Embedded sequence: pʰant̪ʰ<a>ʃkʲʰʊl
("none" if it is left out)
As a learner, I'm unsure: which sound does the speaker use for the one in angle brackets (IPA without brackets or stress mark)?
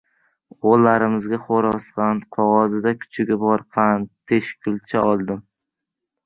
e